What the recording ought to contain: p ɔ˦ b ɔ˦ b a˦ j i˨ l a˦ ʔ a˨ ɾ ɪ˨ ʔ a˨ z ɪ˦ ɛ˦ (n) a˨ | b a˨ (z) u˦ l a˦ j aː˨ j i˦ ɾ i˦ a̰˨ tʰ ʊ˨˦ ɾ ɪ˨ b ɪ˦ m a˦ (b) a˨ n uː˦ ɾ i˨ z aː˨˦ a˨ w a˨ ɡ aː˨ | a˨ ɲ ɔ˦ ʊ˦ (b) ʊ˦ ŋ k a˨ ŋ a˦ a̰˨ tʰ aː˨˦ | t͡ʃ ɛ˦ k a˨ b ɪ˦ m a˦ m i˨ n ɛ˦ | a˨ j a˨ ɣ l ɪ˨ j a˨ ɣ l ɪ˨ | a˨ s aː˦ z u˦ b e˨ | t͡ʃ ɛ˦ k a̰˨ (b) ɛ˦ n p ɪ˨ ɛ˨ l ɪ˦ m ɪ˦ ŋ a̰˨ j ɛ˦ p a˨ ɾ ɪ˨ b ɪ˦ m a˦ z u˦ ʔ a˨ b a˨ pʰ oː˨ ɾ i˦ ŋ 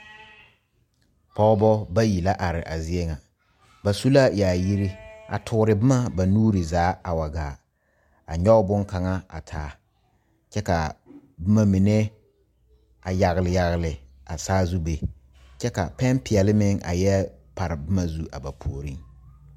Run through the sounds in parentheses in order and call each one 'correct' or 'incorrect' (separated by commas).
incorrect, incorrect, correct, correct, incorrect